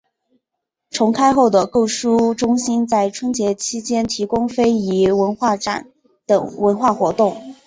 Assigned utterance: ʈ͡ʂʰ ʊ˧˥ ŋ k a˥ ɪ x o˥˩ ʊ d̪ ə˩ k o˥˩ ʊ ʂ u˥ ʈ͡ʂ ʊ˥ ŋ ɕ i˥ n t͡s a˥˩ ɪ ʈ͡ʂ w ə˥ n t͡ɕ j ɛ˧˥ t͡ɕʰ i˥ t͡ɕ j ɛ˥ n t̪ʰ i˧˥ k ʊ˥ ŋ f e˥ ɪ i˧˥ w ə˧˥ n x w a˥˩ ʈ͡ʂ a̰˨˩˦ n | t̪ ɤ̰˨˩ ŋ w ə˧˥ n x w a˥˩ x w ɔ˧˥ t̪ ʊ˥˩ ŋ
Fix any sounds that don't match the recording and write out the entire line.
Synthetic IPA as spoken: ʈ͡ʂʰ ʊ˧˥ ŋ kʰ a˥ ɪ x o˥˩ ʊ d̪ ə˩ k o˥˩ ʊ ʂ u˥ ʈ͡ʂ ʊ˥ ŋ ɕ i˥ n t͡s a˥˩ ɪ ʈ͡ʂʰ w ə˥ n t͡ɕ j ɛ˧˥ t͡ɕʰ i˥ t͡ɕ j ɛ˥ n t̪ʰ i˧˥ k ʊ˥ ŋ f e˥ ɪ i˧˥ w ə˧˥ n x w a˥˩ ʈ͡ʂ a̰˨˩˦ n | t̪ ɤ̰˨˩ ŋ w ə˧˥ n x w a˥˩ x w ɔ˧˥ t̪ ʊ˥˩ ŋ